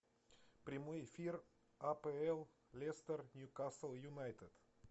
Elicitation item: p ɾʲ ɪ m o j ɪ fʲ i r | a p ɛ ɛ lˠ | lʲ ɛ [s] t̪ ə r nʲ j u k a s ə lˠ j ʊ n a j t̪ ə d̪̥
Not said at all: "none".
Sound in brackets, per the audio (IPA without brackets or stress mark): s